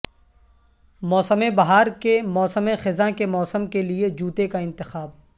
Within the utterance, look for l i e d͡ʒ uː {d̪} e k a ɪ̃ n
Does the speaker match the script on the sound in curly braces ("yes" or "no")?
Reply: no